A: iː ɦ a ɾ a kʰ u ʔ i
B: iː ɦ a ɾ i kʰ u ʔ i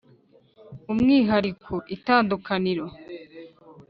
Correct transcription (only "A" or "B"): B